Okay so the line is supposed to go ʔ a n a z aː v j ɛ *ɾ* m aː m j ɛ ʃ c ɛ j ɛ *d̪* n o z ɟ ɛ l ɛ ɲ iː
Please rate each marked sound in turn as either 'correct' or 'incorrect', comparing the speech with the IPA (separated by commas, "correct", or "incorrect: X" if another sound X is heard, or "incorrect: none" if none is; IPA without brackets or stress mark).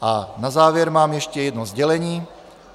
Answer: correct, correct